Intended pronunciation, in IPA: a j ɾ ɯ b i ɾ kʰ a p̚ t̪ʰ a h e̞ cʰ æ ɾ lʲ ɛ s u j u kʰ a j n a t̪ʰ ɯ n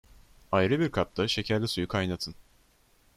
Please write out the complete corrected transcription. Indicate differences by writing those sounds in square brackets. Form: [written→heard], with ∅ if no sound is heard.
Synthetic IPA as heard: a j ɾ ɯ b i ɾ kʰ a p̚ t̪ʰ a [h→ʃ] e̞ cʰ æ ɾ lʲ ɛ s u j u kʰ a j n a t̪ʰ ɯ n